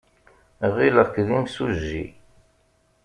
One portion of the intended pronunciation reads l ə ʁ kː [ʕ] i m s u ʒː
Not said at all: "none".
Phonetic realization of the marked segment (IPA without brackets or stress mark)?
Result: ð